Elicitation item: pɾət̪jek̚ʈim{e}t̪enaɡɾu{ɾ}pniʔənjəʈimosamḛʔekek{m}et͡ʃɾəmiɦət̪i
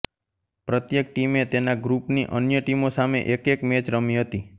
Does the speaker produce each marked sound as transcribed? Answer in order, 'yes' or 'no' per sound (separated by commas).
yes, no, yes